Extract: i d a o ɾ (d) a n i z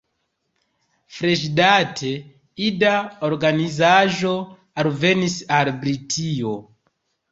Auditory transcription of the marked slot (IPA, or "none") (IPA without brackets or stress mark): ɡ